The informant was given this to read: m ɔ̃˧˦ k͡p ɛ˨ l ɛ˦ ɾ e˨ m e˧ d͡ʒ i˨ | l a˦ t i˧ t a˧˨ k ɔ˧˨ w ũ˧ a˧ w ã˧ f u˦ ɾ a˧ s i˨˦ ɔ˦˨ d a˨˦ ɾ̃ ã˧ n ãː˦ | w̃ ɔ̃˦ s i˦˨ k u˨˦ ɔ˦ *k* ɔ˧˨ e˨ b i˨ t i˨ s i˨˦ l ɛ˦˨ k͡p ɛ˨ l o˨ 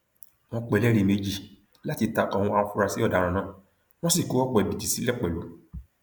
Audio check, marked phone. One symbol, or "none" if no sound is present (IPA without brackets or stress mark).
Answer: k͡p